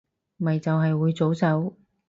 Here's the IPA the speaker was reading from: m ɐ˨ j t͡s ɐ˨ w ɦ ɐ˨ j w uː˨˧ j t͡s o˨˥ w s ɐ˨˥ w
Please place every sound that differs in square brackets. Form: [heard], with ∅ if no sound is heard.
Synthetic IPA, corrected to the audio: m ɐ˨ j t͡s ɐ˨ w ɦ ɐ˨ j w uː˨˧ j t͡s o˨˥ w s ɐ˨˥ w

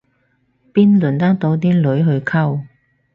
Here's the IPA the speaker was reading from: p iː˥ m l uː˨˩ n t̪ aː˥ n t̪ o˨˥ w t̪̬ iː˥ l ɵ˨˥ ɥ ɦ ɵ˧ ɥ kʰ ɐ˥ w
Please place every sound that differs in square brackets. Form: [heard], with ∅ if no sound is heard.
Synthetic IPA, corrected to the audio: p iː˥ [n] l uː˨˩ n t̪ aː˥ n t̪ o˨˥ w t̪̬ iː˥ l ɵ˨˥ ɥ ɦ ɵ˧ ɥ kʰ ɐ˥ w

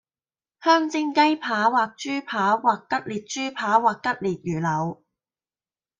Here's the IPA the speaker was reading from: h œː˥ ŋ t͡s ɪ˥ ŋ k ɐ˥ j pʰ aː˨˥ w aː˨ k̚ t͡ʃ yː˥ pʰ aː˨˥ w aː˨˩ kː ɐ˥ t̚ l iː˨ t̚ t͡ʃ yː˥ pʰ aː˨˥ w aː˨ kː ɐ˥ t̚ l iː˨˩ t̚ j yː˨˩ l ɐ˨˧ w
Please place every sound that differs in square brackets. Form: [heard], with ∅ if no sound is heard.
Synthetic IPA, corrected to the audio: h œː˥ ŋ t͡s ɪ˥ ŋ k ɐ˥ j pʰ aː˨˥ w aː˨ k̚ t͡ʃ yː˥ pʰ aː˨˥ w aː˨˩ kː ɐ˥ t̚ l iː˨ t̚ t͡ʃ yː˥ pʰ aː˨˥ w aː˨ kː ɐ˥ t̚ l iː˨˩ t̚ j yː˨˩ l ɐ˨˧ w

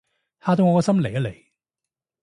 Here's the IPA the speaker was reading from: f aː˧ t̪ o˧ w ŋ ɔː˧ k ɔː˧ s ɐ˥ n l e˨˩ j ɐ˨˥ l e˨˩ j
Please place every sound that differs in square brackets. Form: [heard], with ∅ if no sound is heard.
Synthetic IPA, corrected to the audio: [h] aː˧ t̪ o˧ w ŋ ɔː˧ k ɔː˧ s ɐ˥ [m] l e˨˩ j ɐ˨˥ l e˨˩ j

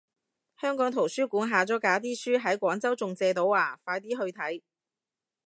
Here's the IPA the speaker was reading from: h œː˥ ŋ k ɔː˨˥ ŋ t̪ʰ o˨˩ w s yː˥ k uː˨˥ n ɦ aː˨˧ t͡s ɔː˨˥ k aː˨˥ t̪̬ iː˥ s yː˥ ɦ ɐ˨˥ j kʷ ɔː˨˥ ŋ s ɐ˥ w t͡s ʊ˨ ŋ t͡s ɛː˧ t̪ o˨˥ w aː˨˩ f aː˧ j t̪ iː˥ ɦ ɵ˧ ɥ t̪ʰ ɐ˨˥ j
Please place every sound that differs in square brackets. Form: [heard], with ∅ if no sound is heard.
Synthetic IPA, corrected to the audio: h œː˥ ŋ k ɔː˨˥ ŋ t̪ʰ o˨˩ w s yː˥ k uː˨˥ n ɦ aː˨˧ t͡s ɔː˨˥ k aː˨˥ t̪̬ iː˥ s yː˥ ɦ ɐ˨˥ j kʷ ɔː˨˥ ŋ [t͡s] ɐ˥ w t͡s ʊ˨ ŋ t͡s ɛː˧ t̪ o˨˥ w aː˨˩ f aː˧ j t̪ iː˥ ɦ ɵ˧ ɥ t̪ʰ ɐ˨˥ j

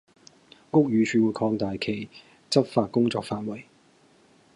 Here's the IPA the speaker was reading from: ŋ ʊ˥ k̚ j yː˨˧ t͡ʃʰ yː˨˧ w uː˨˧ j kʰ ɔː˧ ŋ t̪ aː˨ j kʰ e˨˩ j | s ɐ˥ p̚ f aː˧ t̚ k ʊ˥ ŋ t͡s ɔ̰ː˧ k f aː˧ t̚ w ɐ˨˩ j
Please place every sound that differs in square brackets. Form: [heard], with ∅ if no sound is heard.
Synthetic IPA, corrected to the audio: ŋ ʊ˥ k̚ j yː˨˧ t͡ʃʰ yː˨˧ w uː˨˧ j kʰ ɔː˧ ŋ t̪ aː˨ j kʰ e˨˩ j | [t͡s] ɐ˥ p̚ f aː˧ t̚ k ʊ˥ ŋ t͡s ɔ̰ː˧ k f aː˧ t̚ w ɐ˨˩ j

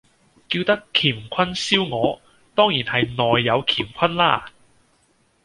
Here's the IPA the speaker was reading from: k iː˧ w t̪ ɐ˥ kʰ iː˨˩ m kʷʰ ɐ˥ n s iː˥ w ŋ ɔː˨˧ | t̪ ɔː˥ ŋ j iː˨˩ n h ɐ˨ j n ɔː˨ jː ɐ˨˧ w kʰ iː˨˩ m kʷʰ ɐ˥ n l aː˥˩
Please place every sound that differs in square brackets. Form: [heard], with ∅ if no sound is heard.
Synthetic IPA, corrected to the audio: k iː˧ w t̪ ɐ˥ kʰ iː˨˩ m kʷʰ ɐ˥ n s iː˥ w ŋ ɔː˨˧ | t̪ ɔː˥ ŋ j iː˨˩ n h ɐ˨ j n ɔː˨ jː ɐ˨˧ w kʰ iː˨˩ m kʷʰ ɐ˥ n l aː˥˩

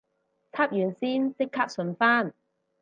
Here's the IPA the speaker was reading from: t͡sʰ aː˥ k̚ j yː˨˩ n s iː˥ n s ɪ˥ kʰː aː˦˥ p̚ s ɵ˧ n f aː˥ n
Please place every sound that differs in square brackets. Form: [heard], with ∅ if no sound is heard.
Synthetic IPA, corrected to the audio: t͡sʰ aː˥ [p̚] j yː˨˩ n s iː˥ n s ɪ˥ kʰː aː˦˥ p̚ s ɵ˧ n f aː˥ n

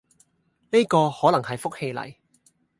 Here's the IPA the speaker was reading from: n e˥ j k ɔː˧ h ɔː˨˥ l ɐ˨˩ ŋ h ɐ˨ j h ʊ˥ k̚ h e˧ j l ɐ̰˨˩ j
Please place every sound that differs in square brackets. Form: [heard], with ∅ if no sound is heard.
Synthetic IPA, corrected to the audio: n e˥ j k ɔː˧ h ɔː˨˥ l ɐ˨˩ ŋ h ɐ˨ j [f] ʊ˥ k̚ h e˧ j l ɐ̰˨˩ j

